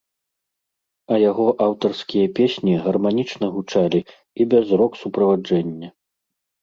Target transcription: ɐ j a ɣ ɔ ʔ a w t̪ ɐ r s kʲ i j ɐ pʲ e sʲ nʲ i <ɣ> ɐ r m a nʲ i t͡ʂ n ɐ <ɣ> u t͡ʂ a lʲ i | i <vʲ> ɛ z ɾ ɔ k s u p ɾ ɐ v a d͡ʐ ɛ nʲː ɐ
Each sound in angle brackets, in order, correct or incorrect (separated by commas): correct, correct, incorrect